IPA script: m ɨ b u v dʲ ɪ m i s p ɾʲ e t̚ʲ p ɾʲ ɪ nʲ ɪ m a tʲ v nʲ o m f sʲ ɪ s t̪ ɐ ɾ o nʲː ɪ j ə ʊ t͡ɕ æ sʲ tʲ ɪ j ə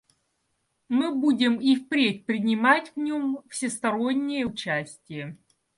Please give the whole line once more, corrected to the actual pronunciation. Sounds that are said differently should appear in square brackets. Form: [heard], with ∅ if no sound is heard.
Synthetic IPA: m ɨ b u [∅] dʲ ɪ m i [f] p ɾʲ e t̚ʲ p ɾʲ ɪ nʲ ɪ m a tʲ v nʲ o m f sʲ ɪ s t̪ ɐ ɾ o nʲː ɪ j ə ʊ t͡ɕ æ sʲ tʲ ɪ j ə